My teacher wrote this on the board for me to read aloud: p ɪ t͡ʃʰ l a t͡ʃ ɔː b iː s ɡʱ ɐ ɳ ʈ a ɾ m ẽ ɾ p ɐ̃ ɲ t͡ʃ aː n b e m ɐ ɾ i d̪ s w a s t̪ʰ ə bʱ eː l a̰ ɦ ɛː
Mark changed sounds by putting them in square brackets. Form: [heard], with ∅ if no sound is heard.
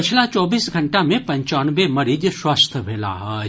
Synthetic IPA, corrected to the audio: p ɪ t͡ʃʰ l a t͡ʃ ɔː b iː s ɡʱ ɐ ɳ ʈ a [∅] m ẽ [∅] p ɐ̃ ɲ t͡ʃ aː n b e m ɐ ɾ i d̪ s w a s t̪ʰ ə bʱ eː l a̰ ɦ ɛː